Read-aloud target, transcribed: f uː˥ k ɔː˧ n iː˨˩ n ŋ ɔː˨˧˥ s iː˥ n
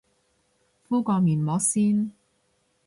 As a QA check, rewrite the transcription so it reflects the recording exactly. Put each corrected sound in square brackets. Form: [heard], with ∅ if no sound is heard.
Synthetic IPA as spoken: f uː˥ k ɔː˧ [m] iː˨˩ n [m] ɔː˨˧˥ s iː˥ n